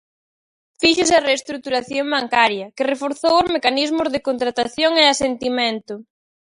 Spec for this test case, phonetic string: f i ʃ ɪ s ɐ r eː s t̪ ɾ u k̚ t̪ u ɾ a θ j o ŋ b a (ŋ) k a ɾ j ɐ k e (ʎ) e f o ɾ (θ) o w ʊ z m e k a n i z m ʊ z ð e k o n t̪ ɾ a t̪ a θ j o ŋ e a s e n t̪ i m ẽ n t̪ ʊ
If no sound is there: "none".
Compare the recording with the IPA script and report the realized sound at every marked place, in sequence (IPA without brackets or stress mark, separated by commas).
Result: ŋ, r, θ